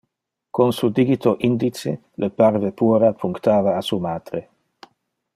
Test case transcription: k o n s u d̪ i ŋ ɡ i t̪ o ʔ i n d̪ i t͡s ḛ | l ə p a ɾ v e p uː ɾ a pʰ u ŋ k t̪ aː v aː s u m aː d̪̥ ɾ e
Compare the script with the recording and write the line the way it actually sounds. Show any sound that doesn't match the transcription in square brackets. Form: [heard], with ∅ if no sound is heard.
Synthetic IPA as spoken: k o n s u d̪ i [∅] ɡ i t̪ o ʔ i n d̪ i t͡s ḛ | l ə p a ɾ v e p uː ɾ a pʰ u ŋ k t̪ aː v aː s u m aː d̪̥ ɾ e